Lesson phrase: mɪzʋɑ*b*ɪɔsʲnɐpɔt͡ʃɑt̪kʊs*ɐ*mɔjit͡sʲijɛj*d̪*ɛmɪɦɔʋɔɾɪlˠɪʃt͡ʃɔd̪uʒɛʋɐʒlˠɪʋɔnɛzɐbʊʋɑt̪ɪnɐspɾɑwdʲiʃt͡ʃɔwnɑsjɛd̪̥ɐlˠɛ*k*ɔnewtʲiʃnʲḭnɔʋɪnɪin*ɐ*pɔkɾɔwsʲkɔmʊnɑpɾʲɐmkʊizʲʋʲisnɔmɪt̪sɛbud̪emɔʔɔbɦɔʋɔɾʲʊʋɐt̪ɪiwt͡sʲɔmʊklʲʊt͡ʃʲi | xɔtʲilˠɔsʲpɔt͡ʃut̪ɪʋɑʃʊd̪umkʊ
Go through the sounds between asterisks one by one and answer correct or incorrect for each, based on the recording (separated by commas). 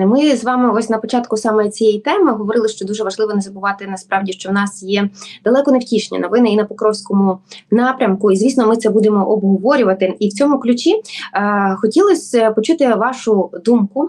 incorrect, incorrect, incorrect, correct, correct